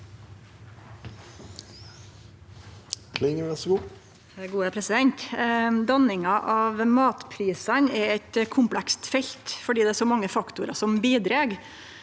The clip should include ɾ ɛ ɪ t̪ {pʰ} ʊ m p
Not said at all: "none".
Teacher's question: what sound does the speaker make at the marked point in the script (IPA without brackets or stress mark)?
kʰ